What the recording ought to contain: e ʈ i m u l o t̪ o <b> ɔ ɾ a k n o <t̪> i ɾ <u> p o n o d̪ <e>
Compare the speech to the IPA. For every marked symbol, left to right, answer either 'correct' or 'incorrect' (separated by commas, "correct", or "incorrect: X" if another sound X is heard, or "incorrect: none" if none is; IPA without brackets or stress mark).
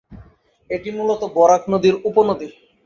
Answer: correct, incorrect: d̪, correct, incorrect: i